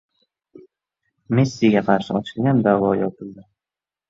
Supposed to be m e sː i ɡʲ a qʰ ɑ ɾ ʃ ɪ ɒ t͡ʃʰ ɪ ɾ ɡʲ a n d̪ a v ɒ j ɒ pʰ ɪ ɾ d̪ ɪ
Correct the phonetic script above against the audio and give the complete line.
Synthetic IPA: m e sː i ɡʲ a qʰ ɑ ɾ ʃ ɪ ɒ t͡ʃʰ ɪ l ɡʲ a n d̪ a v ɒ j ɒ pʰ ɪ l d̪ ɪ